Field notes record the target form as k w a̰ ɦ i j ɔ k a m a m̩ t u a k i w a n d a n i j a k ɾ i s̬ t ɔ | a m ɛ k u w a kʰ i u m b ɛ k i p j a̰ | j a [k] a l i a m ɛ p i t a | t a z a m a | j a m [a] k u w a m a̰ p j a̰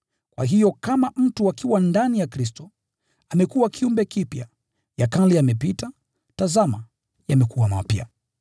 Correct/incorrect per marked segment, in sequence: correct, incorrect

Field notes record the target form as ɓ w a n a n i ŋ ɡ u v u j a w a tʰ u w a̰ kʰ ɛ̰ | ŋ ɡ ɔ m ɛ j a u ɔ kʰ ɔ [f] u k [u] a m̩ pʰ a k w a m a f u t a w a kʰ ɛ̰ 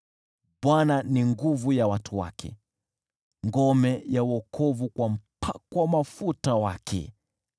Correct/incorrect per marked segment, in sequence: incorrect, incorrect

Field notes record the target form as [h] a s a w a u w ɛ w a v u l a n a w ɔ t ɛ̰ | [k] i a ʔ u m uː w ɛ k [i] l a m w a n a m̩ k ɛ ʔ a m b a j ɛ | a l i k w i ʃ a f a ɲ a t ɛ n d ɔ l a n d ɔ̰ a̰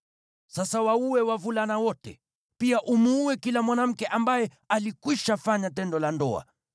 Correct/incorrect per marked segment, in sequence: incorrect, incorrect, correct

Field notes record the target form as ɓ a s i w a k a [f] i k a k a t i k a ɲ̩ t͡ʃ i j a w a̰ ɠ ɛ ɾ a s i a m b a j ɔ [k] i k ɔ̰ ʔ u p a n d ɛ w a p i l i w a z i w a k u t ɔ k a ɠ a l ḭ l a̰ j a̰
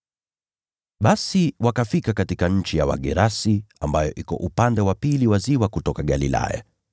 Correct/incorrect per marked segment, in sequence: correct, incorrect

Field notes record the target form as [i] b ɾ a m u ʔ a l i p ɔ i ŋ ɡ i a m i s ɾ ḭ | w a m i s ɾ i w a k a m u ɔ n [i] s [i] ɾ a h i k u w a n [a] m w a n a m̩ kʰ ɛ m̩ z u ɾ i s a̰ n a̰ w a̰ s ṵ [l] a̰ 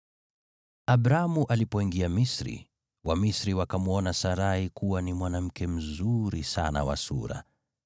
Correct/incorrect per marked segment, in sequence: incorrect, incorrect, incorrect, incorrect, incorrect

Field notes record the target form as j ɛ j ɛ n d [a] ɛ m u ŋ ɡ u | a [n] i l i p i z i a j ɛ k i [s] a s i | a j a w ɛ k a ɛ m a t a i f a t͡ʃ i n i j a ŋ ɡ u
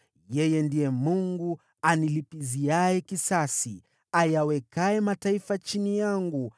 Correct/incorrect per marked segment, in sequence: incorrect, correct, correct

